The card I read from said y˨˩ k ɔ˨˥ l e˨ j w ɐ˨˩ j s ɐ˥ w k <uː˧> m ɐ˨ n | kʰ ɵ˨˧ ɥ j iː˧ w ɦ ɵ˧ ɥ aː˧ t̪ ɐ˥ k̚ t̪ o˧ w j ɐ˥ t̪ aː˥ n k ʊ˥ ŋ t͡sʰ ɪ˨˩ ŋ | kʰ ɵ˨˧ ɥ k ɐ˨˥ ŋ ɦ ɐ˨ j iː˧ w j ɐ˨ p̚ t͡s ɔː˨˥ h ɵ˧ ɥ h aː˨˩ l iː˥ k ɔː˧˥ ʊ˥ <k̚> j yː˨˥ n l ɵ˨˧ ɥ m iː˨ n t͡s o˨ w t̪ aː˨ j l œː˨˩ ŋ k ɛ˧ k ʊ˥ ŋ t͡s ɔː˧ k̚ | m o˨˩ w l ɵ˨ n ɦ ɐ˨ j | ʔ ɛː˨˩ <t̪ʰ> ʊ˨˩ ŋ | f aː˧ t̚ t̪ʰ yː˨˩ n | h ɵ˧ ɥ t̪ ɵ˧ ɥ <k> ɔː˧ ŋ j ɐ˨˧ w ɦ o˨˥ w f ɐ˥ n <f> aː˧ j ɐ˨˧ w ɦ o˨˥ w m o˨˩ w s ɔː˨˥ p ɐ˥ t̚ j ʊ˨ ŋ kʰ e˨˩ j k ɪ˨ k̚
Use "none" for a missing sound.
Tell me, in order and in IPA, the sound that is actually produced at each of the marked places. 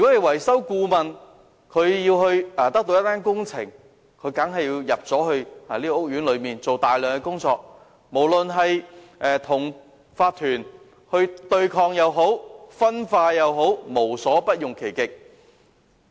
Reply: uː˧, k̚, t̪ʰ, kʰ, f

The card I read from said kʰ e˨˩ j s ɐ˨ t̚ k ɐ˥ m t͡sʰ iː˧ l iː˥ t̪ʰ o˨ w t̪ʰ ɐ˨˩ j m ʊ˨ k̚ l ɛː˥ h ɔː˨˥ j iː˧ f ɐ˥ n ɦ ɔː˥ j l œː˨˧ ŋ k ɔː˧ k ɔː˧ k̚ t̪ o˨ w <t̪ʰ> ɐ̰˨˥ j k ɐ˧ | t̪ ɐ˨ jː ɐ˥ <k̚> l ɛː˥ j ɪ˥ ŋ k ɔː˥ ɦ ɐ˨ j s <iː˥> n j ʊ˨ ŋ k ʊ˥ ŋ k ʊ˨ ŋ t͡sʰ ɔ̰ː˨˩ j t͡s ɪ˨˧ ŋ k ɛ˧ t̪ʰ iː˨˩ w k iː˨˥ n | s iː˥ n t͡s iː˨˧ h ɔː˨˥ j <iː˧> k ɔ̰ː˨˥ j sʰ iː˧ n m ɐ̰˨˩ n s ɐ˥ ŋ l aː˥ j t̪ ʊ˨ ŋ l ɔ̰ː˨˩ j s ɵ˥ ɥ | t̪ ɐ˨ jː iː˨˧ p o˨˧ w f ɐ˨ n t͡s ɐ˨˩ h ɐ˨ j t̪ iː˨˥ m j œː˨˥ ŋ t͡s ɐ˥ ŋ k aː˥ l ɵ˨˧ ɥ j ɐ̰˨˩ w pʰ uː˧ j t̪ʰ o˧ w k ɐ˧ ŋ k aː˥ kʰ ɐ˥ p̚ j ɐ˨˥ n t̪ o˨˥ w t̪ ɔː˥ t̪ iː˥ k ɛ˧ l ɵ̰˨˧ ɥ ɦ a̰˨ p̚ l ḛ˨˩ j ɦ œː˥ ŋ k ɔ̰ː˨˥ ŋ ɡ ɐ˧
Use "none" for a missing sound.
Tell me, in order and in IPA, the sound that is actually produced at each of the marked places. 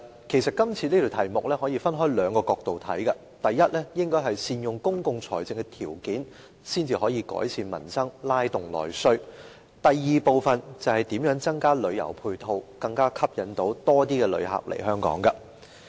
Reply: t̪ʰ, t̚, iː˧, iː˧

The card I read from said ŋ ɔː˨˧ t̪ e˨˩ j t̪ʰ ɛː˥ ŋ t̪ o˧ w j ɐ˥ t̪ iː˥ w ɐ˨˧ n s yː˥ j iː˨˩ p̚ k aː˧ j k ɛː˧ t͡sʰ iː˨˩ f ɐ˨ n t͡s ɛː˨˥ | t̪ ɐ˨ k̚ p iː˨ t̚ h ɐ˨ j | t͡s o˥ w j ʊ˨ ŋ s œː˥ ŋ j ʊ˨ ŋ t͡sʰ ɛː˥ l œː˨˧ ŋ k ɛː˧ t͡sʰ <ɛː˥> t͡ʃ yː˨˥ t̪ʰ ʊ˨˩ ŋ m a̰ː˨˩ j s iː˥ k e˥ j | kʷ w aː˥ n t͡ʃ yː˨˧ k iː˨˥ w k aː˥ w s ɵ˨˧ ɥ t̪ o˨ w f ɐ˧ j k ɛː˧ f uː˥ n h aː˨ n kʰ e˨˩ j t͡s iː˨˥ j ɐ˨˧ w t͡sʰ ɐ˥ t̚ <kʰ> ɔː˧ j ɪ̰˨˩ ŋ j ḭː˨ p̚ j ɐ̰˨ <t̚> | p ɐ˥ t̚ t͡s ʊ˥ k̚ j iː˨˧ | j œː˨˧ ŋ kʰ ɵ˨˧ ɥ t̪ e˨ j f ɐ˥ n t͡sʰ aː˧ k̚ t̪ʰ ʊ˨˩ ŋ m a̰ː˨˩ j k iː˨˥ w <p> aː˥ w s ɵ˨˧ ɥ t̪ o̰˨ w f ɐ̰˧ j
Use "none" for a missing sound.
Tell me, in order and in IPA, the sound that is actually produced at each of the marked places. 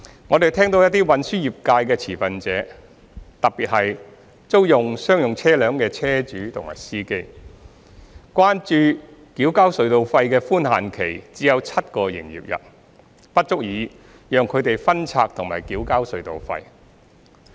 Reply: ɛː˥, k, t̚, k

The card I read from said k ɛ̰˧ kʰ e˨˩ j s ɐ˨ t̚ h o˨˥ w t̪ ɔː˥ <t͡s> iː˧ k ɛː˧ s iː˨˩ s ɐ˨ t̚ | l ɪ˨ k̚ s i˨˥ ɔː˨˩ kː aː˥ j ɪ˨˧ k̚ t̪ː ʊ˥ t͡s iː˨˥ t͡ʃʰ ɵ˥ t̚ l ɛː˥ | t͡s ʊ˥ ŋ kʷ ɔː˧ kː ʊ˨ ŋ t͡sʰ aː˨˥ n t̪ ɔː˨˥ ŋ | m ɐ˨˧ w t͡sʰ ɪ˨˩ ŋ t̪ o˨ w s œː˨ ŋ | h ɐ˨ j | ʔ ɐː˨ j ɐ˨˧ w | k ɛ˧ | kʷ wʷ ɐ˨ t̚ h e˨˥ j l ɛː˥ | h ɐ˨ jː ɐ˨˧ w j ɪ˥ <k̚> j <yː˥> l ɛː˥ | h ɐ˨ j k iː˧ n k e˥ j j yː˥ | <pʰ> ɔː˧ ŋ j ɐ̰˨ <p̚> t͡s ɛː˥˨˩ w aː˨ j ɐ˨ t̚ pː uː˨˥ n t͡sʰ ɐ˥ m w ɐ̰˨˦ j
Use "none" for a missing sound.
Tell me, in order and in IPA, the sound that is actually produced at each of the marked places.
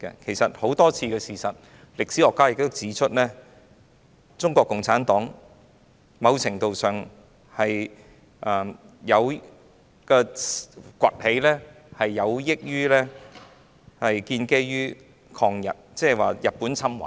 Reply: t͡sʰ, k̚, yː˥, kʰ, t̚

